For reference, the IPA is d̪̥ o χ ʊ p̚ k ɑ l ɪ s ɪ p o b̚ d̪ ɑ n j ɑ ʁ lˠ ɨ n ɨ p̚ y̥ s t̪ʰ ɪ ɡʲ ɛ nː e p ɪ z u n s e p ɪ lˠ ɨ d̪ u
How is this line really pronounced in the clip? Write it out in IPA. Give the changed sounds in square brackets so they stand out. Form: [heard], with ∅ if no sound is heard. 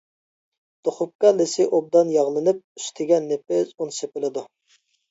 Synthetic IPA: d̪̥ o χ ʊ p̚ k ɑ l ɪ s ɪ [ʔ] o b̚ d̪ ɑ n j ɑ ʁ lˠ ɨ n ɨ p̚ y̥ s t̪ʰ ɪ ɡʲ ɛ nː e p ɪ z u n s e p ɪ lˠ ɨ d̪ u